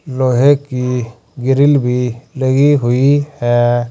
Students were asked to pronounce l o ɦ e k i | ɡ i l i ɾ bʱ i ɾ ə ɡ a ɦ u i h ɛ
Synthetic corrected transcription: l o ɦ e k i | ɡ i ɾ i l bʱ i l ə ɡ i ɦ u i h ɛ